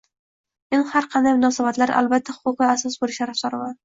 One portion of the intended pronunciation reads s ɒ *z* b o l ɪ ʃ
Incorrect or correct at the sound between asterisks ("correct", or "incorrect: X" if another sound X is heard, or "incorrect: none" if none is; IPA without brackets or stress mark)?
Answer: incorrect: s